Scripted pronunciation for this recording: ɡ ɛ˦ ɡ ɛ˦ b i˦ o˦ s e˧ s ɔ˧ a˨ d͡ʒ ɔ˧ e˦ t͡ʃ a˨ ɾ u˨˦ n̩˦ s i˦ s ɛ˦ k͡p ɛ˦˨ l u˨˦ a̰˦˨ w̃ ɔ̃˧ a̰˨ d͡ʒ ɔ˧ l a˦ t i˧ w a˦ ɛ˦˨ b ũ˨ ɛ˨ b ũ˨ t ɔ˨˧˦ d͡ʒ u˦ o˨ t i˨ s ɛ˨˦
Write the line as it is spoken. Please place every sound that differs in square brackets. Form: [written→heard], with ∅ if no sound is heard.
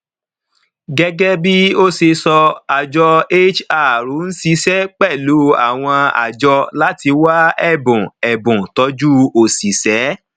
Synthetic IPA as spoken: ɡ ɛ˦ ɡ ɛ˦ b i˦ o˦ s e˧ s ɔ˧ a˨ d͡ʒ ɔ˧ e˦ t͡ʃ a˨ ɾ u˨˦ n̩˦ s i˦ s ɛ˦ k͡p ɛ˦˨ l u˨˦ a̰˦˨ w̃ ɔ̃˧ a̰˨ d͡ʒ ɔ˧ l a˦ t i˧ w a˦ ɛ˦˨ b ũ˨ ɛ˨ b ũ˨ t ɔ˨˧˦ d͡ʒ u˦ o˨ [t→s] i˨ s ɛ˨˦

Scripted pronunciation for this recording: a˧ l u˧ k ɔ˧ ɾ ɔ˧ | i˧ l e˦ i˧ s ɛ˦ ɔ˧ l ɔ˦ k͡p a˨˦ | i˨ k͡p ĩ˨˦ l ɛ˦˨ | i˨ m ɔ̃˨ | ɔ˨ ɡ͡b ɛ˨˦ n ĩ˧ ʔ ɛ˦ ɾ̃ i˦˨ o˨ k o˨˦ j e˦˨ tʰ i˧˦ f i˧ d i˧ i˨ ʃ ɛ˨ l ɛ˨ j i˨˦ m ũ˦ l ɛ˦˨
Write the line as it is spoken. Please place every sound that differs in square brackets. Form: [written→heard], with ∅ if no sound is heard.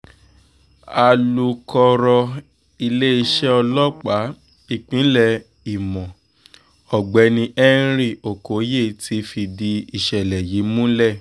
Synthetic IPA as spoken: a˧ l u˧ k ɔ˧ ɾ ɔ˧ | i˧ l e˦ i˧ [s→ʃ] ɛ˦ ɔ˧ l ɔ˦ k͡p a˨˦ | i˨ k͡p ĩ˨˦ l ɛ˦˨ | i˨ m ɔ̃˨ | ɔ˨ ɡ͡b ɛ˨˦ n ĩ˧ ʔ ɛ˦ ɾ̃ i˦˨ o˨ k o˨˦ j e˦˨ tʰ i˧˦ f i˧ d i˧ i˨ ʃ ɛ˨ l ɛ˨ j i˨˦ m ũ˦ l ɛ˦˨

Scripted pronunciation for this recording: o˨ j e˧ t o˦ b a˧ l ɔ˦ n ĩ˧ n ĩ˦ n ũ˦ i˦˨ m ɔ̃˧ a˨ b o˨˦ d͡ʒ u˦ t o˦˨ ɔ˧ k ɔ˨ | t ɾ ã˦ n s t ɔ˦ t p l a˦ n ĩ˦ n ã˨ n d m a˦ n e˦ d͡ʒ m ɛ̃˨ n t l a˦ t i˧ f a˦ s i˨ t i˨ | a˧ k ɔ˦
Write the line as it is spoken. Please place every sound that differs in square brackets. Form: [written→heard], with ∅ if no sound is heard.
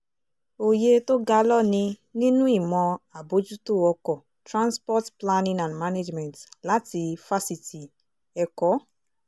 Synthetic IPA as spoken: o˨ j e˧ t o˦ [b→ɡ] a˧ l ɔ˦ n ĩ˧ n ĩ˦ n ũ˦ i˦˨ m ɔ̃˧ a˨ b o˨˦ d͡ʒ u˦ t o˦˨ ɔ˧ k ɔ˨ | t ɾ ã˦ n s [t→p] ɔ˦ t p l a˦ n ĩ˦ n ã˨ n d m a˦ n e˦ d͡ʒ m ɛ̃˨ n t l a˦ t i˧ f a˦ s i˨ t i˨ | [a˧→ɛ˧] k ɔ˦

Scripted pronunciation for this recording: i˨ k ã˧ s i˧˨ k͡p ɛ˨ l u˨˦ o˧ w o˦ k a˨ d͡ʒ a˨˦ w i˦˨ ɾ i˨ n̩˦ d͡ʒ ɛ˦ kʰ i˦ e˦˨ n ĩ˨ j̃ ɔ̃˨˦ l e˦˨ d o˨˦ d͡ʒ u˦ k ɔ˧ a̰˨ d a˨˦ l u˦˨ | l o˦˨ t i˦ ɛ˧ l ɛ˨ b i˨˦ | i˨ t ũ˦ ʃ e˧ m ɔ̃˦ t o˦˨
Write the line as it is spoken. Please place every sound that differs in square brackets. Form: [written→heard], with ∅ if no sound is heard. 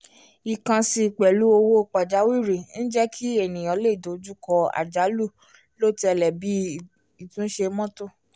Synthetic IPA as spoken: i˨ k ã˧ s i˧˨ k͡p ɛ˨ l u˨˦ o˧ w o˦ [k→k͡p] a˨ d͡ʒ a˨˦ w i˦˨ ɾ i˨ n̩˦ d͡ʒ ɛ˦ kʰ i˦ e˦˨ n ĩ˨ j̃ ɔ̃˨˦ l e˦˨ d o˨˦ d͡ʒ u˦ k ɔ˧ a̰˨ [d→d͡ʒ] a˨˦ l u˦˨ | l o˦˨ t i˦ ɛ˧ l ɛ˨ b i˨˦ | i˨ t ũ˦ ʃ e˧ m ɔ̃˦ t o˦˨

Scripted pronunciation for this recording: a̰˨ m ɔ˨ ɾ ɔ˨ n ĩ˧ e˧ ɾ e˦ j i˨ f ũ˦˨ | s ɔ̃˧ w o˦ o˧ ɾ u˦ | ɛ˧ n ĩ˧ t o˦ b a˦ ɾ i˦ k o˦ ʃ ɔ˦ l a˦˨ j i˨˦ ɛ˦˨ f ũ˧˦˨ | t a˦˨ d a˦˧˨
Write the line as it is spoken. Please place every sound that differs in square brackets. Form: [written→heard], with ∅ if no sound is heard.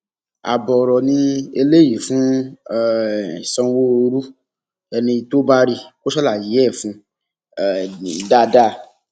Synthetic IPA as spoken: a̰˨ [m→b] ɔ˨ ɾ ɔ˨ n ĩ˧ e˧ [ɾ→l] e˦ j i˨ f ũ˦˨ | s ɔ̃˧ w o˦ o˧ ɾ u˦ | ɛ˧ n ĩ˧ t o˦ b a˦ ɾ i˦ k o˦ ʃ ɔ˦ l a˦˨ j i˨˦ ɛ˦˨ f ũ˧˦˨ | [t→d] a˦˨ d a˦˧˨

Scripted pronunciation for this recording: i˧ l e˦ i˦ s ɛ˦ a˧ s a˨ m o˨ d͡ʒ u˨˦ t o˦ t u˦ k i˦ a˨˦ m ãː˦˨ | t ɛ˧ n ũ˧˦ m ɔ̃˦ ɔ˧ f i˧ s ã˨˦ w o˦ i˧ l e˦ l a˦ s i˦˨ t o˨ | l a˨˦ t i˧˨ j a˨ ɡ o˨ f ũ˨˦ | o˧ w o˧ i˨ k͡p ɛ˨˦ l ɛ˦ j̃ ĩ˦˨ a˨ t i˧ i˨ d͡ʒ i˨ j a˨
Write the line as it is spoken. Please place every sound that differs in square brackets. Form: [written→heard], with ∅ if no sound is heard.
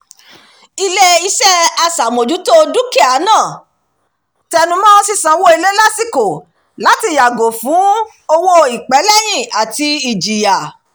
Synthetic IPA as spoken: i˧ l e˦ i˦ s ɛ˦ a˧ s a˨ m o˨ d͡ʒ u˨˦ t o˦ [t→d] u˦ k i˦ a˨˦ [m→n] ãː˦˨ | t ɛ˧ n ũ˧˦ m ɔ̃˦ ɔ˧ [f→s] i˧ s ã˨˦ w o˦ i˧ l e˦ l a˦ s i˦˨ [t→k] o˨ | l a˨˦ t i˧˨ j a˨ ɡ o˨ f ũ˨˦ | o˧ w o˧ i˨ k͡p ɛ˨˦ l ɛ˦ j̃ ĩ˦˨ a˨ t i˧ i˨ d͡ʒ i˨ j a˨

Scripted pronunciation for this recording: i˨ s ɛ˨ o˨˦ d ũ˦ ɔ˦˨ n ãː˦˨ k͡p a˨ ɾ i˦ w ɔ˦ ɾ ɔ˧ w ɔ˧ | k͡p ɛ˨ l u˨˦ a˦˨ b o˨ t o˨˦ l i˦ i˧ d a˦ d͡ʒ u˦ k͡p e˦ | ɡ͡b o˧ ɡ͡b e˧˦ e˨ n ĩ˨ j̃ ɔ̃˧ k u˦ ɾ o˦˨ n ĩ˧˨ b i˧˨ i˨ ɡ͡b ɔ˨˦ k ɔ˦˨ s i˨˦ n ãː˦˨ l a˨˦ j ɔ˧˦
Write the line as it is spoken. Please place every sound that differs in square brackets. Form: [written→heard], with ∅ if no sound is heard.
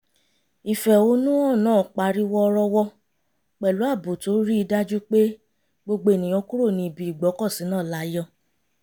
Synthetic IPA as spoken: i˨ [s→f] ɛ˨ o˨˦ [d→n] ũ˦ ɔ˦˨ n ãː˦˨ k͡p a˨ ɾ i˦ w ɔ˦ ɾ ɔ˧ w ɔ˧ | k͡p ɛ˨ l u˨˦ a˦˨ b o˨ t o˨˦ [l→ɾ] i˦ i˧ d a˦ d͡ʒ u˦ k͡p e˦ | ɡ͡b o˧ ɡ͡b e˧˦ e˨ n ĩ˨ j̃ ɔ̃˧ k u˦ ɾ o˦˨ n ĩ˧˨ b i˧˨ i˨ ɡ͡b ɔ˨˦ k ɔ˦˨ s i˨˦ n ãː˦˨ l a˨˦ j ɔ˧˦

